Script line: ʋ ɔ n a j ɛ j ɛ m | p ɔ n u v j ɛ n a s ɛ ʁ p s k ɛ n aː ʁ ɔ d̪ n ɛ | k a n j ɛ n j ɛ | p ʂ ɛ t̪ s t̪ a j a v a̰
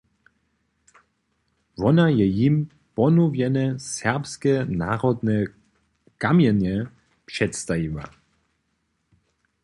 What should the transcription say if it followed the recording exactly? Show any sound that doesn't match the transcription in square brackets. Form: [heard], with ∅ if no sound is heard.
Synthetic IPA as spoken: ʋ ɔ n a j ɛ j [i] m | p ɔ n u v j ɛ n [ɛ] s ɛ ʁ p s k ɛ n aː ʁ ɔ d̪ n ɛ | k a [m] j ɛ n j ɛ | p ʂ ɛ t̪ s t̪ a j [i] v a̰